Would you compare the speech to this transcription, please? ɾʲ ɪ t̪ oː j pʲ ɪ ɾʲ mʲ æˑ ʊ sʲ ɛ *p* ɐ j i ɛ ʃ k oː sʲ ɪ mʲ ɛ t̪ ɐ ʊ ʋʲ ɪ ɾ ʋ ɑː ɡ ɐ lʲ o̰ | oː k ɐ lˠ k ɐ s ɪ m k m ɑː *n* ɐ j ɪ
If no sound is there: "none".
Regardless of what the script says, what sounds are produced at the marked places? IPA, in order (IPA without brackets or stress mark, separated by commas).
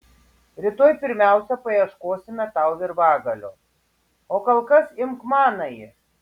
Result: p, n